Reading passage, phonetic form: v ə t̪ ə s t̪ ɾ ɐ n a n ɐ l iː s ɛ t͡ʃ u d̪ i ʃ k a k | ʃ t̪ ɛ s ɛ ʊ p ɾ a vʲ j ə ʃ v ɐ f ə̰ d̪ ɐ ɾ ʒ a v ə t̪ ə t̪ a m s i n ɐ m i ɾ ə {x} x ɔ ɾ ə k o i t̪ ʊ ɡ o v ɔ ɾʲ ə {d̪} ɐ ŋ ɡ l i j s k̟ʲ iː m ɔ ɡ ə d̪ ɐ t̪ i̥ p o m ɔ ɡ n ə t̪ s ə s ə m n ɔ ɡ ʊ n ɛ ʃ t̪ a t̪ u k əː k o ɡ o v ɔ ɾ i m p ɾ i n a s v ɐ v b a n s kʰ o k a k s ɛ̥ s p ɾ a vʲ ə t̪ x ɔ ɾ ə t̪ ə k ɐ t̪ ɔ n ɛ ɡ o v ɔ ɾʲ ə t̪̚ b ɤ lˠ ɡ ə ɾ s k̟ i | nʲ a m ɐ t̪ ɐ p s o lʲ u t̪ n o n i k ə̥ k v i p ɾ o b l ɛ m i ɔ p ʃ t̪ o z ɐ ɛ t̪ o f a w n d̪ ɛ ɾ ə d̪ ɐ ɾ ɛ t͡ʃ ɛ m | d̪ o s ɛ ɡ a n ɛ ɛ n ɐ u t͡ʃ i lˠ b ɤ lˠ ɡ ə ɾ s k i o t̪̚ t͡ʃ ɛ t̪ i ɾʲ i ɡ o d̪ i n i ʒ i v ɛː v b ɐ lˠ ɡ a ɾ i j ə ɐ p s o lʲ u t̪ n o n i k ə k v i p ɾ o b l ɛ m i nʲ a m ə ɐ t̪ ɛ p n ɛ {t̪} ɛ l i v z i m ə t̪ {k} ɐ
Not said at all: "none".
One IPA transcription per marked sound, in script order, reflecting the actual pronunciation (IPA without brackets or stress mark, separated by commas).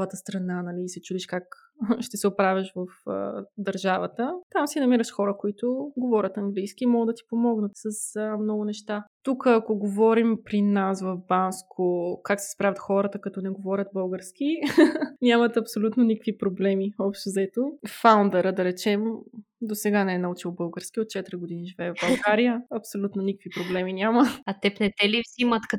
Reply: ʃ, t̪, t̪, k